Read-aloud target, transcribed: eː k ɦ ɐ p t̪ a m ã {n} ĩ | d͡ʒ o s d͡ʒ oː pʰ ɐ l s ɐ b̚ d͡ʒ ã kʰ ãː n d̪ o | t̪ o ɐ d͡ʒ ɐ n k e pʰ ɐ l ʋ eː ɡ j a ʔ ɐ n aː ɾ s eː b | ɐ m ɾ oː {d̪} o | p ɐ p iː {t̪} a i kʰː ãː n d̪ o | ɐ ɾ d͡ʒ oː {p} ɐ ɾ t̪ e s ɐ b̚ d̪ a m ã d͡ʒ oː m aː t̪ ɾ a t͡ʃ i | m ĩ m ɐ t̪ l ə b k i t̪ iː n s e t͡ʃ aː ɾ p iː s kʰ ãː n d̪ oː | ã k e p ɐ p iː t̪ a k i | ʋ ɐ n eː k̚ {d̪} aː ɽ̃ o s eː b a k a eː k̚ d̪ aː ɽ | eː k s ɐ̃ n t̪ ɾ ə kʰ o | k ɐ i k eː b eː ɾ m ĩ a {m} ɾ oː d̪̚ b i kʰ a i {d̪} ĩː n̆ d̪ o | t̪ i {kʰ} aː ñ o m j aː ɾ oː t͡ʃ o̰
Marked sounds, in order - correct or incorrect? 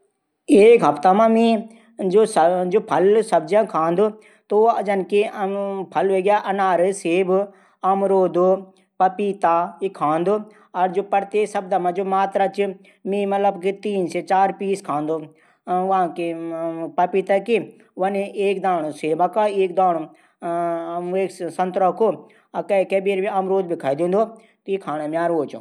incorrect, correct, correct, correct, correct, correct, correct, correct

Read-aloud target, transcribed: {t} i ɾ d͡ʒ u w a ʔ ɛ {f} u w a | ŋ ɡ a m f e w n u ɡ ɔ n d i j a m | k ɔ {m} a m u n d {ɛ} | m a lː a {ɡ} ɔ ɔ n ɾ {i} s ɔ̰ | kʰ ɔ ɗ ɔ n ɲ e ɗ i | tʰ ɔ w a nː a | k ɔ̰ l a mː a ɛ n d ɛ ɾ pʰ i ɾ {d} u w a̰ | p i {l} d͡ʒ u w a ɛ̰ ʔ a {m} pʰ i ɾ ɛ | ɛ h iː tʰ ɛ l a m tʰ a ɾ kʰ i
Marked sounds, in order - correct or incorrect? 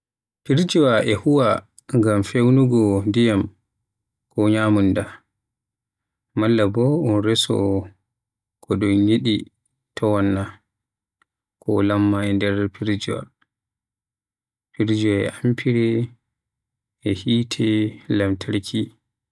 incorrect, incorrect, incorrect, incorrect, incorrect, incorrect, incorrect, incorrect, correct

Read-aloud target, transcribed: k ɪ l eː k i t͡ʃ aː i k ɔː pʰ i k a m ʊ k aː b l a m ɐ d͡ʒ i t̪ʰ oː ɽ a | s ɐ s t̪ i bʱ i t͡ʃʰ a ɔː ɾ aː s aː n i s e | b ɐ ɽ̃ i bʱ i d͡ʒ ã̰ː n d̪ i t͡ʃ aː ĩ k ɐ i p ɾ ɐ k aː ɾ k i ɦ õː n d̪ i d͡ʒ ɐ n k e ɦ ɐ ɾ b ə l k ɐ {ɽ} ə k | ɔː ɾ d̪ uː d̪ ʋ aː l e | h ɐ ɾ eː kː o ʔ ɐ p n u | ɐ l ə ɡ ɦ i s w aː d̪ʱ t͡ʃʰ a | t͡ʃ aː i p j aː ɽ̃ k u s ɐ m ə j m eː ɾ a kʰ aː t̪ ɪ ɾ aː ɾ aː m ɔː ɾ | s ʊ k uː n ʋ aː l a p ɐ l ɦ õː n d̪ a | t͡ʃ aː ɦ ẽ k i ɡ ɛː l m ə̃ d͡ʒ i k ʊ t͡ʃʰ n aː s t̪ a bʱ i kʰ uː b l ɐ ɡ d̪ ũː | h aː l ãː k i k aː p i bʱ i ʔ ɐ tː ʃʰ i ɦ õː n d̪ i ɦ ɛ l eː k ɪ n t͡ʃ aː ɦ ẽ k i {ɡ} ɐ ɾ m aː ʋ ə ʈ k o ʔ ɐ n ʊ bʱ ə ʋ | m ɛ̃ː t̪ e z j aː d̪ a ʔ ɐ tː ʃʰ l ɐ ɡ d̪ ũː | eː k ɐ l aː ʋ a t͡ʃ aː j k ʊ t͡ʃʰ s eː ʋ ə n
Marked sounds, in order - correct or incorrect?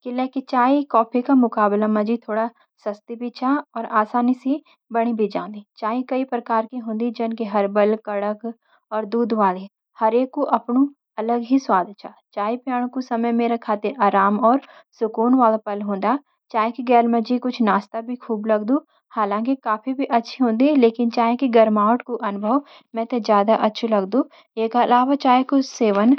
correct, correct

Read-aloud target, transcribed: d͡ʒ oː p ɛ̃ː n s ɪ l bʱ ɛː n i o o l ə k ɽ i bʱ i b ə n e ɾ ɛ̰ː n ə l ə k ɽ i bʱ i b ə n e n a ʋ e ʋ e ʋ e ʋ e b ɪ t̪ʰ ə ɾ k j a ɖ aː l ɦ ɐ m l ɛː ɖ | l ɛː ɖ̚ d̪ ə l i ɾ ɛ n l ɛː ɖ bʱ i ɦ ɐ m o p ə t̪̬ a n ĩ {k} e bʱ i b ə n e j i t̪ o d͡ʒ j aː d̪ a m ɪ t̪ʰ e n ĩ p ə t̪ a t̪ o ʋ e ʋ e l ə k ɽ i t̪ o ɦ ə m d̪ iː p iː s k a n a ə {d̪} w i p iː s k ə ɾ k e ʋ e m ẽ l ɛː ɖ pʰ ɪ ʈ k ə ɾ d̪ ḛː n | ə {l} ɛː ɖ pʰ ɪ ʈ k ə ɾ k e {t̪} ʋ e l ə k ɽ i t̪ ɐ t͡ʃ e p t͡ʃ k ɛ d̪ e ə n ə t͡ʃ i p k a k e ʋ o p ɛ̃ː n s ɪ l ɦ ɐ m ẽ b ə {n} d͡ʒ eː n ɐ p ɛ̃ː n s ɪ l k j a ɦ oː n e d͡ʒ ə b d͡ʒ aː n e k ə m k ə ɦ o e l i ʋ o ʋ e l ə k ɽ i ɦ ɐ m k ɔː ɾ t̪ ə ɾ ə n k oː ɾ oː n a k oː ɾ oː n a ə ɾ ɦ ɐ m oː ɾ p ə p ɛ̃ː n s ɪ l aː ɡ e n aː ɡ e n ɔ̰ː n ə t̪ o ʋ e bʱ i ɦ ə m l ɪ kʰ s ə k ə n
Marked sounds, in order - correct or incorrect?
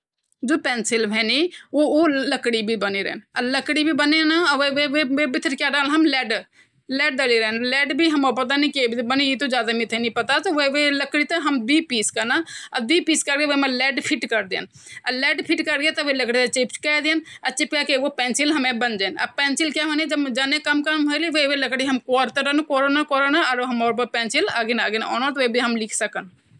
correct, correct, correct, correct, correct

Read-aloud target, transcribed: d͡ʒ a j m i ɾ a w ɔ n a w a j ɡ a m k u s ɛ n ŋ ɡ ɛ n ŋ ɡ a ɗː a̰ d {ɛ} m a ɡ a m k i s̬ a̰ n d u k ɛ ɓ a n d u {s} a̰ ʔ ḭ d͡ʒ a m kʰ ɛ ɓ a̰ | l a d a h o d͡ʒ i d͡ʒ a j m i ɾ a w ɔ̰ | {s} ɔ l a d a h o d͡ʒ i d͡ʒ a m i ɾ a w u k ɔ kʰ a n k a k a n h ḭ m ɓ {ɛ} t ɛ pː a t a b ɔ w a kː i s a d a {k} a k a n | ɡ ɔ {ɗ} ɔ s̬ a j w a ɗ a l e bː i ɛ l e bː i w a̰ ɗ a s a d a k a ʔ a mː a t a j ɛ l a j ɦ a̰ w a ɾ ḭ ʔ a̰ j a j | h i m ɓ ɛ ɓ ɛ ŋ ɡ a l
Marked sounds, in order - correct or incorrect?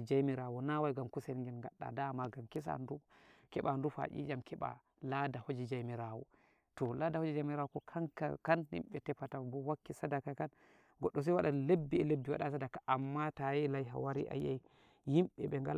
incorrect, incorrect, incorrect, correct, correct, incorrect

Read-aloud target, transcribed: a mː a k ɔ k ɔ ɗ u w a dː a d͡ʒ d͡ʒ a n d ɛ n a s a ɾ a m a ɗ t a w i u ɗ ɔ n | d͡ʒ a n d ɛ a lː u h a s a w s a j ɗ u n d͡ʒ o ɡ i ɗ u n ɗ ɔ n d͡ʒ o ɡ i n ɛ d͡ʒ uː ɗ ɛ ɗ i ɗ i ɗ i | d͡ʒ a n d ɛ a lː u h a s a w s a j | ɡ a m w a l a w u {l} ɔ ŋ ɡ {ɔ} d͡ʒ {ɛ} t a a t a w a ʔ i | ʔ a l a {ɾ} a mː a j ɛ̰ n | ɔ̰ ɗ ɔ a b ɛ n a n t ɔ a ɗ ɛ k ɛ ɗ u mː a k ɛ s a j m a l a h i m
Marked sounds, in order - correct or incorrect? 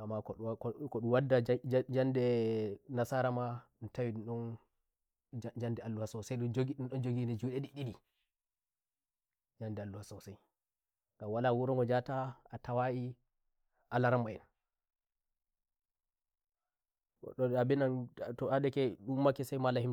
incorrect, correct, incorrect, correct

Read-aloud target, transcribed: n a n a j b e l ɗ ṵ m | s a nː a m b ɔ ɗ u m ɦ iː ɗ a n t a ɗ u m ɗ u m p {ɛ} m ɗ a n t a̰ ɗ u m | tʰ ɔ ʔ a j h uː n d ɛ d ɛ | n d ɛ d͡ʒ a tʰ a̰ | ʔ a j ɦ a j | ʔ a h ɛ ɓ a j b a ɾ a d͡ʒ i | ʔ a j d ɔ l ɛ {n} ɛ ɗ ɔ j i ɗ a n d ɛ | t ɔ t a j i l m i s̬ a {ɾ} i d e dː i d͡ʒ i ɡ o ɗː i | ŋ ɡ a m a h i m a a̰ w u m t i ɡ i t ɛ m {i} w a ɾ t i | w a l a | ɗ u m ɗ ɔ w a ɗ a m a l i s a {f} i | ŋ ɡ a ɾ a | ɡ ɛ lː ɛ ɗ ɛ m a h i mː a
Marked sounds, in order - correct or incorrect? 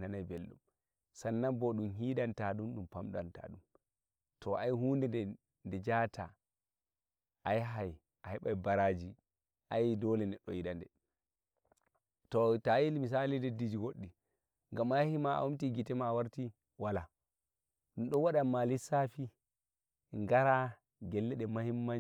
incorrect, correct, incorrect, incorrect, correct

